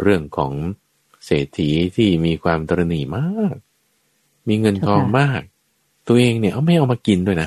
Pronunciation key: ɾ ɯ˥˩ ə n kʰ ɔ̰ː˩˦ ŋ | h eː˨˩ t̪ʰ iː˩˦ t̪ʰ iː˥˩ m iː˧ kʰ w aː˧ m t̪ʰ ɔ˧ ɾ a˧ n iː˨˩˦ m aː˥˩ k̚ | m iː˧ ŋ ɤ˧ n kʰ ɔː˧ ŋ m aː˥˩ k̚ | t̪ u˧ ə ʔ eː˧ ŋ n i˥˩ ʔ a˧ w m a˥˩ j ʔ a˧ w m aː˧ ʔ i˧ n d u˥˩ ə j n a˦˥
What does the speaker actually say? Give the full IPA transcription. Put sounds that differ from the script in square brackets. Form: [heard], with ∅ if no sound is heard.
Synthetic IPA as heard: ɾ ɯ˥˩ ə [ŋ] kʰ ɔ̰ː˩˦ ŋ | [s] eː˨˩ t̪ʰ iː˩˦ t̪ʰ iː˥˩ m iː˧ kʰ w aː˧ m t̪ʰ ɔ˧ ɾ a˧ n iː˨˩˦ m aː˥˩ k̚ | m iː˧ ŋ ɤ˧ n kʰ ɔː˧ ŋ m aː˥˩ k̚ | t̪ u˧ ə ʔ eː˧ ŋ n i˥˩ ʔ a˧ w m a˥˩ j ʔ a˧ w m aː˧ [k] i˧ n d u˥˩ ə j n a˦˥